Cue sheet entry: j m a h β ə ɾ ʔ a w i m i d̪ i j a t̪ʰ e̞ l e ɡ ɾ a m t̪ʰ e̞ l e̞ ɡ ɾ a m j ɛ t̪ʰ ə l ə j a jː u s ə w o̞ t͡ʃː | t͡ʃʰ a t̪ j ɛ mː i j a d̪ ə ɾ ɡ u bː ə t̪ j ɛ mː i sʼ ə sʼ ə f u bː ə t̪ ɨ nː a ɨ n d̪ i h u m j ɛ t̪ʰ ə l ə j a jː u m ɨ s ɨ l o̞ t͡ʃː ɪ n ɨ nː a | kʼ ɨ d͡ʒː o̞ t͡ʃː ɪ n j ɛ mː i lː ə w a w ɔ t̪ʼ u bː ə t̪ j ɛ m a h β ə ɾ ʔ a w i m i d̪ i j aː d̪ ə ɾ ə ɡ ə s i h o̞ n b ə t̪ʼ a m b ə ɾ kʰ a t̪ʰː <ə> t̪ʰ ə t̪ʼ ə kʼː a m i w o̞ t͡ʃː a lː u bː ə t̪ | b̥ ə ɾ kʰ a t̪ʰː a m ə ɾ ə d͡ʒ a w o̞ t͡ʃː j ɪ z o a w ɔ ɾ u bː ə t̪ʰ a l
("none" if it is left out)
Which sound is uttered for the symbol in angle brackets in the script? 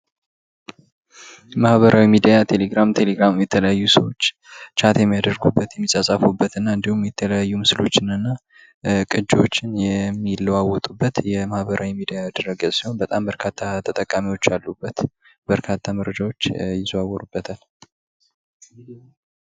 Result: a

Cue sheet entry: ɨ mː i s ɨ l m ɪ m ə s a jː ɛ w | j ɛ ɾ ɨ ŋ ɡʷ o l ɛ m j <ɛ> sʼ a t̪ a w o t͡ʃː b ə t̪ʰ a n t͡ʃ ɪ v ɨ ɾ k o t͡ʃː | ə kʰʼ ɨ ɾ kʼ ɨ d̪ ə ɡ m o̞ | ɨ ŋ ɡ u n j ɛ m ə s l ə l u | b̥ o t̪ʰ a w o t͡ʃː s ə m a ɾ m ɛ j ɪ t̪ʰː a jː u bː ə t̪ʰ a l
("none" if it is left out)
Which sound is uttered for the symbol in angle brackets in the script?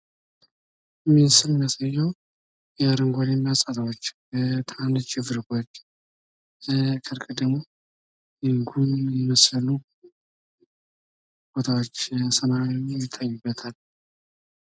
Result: a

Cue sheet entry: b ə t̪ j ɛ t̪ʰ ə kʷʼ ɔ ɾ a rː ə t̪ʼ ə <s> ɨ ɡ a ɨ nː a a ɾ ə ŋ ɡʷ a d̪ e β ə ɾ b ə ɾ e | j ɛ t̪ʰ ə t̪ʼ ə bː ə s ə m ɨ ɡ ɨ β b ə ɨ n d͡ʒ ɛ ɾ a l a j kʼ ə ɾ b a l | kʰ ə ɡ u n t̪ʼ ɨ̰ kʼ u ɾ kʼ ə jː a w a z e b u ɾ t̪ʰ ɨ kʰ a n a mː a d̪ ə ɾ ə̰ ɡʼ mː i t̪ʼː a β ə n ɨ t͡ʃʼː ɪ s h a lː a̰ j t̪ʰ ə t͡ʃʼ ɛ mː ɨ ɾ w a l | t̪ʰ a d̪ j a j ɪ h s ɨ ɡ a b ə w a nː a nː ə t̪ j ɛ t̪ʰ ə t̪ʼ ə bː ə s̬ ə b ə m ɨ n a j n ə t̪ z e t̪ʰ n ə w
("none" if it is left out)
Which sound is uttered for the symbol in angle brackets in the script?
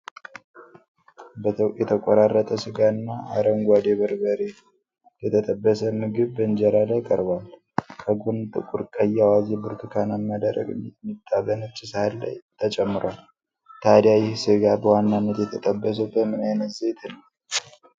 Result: s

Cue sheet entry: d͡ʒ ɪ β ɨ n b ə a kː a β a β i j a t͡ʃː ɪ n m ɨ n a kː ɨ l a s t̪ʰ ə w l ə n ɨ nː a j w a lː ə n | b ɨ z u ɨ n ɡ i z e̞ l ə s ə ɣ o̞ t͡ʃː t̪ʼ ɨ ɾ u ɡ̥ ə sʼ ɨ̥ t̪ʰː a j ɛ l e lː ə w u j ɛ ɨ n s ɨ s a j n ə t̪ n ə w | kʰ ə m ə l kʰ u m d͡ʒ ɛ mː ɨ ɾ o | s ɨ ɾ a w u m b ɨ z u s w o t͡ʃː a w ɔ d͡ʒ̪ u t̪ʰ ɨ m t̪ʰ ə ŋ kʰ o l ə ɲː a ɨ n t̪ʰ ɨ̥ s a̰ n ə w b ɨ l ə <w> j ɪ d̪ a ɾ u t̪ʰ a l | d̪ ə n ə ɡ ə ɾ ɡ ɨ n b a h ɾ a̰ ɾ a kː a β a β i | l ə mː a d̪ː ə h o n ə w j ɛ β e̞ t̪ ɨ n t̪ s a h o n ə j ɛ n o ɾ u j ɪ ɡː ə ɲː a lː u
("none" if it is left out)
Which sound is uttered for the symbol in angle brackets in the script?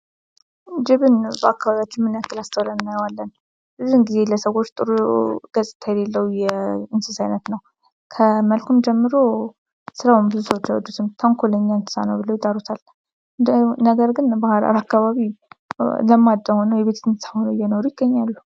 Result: w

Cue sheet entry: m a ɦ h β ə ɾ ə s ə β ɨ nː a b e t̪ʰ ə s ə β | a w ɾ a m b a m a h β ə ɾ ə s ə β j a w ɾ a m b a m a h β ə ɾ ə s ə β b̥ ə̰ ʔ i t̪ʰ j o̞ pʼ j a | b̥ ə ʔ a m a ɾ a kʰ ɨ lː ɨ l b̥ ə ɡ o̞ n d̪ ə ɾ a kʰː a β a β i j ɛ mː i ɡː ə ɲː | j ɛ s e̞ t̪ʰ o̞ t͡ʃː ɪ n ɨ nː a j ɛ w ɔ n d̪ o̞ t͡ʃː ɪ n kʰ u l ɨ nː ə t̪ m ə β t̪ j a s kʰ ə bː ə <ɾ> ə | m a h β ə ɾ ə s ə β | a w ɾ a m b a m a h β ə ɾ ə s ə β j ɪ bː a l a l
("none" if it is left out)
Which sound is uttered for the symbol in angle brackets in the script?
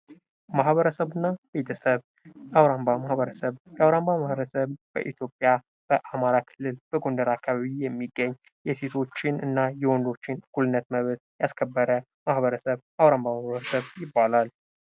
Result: ɾ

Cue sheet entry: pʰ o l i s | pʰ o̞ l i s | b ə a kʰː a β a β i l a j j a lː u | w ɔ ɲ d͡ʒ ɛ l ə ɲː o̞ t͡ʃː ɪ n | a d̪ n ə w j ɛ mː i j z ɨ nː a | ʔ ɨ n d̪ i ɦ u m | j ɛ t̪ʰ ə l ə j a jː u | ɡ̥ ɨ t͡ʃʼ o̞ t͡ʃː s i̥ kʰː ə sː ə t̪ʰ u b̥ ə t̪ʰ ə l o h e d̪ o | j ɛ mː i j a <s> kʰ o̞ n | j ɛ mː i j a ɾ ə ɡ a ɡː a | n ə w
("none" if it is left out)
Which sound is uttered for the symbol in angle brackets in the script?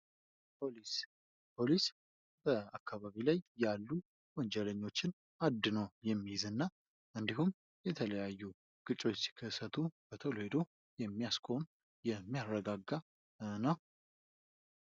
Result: s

